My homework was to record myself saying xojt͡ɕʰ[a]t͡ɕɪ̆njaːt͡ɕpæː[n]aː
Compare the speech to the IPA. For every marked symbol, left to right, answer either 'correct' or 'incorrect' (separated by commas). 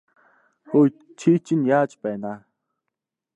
incorrect, correct